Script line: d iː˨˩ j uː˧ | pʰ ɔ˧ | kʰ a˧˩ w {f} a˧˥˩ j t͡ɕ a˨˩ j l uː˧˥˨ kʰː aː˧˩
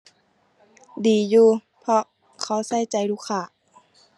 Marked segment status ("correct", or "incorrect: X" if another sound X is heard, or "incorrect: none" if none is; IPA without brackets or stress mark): incorrect: s